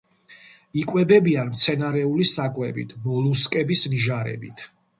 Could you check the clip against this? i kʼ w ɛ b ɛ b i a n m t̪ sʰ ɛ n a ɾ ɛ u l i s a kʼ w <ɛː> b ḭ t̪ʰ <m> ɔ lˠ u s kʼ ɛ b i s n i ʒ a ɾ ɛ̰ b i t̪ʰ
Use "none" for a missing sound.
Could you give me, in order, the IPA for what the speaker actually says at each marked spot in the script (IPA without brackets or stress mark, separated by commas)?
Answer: ɛ, m